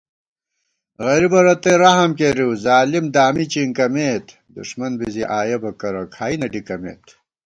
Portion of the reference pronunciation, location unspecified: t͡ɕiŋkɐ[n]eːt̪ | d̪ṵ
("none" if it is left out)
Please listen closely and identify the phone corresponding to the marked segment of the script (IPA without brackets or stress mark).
m